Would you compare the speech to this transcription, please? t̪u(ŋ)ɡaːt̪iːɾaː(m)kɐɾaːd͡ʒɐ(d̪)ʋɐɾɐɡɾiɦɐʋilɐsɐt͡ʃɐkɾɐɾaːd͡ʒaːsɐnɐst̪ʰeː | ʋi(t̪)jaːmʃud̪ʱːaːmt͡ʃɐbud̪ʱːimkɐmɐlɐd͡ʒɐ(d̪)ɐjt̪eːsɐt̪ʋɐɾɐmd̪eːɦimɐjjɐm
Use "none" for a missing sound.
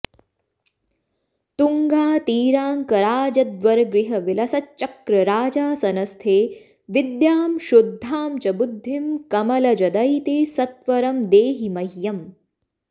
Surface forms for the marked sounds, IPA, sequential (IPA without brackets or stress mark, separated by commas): ŋ, ŋ, d̪, d̪, d̪